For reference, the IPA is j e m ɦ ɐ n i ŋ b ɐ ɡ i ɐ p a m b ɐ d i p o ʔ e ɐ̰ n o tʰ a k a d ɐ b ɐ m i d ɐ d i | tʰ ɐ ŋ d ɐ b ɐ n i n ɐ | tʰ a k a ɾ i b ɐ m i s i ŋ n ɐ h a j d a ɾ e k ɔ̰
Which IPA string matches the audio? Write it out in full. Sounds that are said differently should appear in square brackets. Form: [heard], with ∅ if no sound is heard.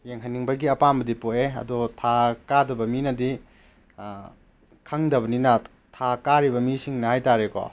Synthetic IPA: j e [ŋ] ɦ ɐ n i ŋ b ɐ ɡ i ɐ p a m b ɐ d i p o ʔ e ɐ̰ [d] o tʰ a k a d ɐ b ɐ m i [n] ɐ d i | [kʰ] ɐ ŋ d ɐ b ɐ n i n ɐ | tʰ a k a ɾ i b ɐ m i s i ŋ n ɐ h a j [t] a ɾ e k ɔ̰